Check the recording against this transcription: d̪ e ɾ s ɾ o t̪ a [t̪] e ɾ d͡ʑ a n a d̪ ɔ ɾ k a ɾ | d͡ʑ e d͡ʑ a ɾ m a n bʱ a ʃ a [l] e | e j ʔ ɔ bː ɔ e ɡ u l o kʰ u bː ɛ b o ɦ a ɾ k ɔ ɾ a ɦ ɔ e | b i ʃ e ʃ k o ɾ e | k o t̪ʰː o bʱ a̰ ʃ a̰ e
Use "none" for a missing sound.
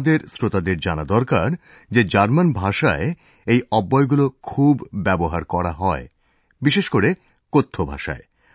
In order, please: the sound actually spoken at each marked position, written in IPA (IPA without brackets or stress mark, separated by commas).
d̪, none